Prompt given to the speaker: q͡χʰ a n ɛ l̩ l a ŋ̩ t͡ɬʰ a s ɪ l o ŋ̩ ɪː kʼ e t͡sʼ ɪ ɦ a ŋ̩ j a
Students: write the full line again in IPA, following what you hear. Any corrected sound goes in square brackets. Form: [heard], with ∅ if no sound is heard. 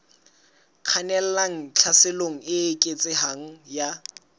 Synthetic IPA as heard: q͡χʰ a n ɛ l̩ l a ŋ̩ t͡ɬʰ a s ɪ l o ŋ̩ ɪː kʼ e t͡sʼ ɪ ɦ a ŋ̩ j a